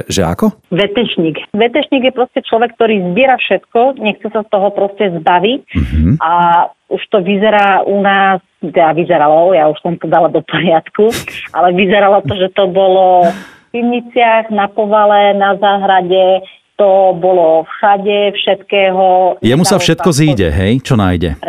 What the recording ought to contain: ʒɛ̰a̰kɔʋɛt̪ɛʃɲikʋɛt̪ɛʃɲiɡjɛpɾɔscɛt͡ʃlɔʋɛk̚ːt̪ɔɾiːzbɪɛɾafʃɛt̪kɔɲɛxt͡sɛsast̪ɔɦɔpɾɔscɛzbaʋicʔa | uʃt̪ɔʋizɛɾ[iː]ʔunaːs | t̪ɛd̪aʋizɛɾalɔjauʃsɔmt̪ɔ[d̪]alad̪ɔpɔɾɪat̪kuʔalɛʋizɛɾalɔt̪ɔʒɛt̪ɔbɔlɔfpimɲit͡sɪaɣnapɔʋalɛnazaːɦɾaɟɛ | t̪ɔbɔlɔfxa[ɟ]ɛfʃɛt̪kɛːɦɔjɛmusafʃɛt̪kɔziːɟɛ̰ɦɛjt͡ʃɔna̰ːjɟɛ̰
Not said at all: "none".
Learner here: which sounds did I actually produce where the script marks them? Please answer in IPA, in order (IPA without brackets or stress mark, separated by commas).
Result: aː, d̪, ɟ